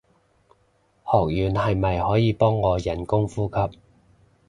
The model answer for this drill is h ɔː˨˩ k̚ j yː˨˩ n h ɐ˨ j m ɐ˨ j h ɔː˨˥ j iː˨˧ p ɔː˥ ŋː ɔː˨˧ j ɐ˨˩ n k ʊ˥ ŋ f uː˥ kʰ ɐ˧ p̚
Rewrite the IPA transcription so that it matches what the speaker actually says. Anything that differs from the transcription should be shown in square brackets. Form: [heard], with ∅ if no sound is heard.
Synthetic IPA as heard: h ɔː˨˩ k̚ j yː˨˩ n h ɐ˨ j m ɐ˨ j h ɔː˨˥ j iː˨˧ p ɔː˥ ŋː ɔː˨˧ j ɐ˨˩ n k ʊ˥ ŋ f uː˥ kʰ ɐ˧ p̚